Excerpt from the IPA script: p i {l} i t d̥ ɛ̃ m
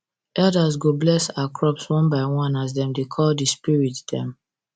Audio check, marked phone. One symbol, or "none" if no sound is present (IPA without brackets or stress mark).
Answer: ɹ